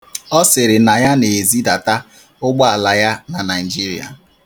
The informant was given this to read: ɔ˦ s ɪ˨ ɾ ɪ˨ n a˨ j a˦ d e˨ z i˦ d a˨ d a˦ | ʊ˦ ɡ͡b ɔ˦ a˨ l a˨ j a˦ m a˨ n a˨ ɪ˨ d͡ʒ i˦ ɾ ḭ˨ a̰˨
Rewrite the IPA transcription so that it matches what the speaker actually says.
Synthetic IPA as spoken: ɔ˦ s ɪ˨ ɾ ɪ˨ n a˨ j a˦ n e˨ z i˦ d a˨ t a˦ | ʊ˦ ɡ͡b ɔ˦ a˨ l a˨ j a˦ n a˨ n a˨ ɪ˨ d͡ʒ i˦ ɾ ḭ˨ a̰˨